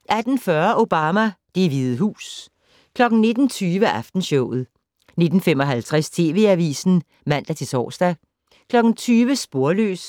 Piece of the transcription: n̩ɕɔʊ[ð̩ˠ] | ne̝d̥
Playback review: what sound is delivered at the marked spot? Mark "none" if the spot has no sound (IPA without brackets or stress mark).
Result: ð̩ˠ